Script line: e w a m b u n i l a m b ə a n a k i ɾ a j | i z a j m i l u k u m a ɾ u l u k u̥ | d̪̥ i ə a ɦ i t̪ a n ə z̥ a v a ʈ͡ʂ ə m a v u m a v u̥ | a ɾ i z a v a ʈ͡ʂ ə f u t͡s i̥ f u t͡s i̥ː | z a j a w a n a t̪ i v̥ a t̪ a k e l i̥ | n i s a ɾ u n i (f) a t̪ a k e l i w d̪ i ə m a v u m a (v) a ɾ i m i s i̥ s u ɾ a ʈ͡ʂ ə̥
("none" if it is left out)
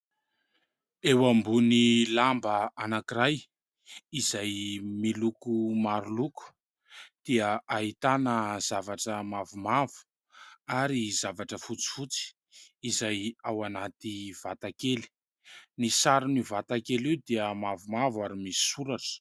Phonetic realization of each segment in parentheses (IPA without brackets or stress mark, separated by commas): v, v